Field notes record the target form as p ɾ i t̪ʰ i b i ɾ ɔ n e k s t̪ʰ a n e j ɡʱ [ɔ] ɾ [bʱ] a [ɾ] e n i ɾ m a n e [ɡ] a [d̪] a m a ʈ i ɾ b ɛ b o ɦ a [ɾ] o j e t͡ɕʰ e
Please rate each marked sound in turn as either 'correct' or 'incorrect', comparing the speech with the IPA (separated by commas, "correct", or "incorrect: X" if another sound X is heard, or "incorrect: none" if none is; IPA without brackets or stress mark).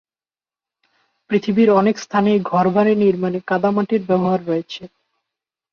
correct, correct, correct, incorrect: k, correct, incorrect: ɾː